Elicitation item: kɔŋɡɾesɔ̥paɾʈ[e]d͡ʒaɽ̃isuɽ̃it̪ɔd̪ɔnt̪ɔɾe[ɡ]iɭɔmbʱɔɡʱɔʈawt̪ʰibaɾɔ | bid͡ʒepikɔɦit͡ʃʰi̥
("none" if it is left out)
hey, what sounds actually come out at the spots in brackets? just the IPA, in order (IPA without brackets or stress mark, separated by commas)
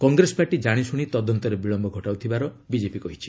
i, b